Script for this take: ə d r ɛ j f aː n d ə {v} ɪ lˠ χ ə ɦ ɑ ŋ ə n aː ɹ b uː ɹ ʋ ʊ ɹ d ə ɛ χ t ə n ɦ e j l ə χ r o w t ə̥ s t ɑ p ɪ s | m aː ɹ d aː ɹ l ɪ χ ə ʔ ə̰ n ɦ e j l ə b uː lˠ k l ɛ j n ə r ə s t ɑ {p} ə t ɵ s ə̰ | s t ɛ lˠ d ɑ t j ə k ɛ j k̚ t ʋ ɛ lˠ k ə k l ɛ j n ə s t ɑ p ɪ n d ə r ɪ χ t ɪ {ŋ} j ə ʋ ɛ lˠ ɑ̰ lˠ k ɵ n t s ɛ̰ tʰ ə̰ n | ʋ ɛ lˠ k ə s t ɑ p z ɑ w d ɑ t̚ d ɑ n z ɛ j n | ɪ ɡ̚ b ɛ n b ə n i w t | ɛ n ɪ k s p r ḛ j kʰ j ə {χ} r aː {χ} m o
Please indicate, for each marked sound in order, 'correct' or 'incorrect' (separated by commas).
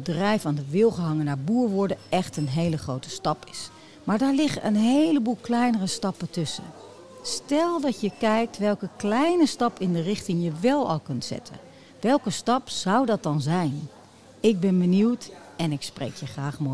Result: incorrect, correct, correct, correct, correct